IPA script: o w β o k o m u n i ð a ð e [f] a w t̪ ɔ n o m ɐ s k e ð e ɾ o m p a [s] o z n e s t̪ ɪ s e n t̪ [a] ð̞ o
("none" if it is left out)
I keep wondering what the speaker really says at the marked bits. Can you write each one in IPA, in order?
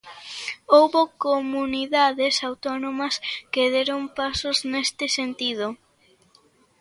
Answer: s, s, i

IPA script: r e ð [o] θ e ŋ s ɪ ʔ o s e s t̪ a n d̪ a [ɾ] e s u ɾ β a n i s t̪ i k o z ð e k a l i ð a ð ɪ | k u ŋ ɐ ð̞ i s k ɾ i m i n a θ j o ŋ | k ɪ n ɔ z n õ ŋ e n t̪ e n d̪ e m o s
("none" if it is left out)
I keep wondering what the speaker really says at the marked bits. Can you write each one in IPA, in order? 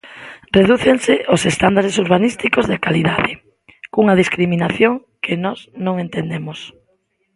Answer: u, ɾ

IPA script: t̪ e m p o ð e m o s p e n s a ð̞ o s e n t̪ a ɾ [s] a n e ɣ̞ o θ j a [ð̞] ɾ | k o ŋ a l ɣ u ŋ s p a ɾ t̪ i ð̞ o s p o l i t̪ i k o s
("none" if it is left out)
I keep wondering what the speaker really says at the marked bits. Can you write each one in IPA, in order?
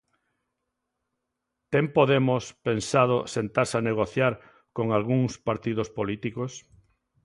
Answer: s, none

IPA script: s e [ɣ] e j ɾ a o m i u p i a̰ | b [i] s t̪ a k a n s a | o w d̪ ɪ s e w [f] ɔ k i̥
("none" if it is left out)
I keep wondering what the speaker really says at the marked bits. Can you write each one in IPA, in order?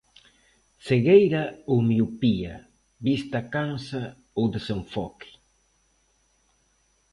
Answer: ɣ, i, f

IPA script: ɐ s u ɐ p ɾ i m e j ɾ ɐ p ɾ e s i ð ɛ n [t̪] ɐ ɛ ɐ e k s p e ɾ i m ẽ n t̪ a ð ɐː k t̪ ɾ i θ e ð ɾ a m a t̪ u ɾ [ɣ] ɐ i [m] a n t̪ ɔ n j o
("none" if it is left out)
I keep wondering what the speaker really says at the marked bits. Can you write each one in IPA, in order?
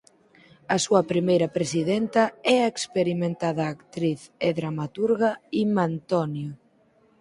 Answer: t̪, ɣ, m

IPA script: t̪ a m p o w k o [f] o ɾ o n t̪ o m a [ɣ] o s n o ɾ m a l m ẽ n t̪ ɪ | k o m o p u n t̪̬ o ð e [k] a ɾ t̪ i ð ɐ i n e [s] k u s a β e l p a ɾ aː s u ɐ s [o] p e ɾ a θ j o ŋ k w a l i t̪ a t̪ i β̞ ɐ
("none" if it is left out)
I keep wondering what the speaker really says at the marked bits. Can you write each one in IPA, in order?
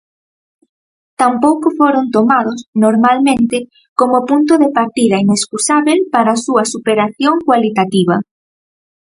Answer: f, ð, p, s, u

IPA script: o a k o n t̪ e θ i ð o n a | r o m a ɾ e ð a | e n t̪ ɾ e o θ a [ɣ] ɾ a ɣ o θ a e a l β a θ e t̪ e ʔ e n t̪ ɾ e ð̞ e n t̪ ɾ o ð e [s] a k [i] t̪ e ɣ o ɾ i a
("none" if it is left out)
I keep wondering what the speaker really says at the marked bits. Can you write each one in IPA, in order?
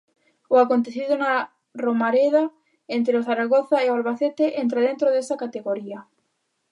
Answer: none, s, a

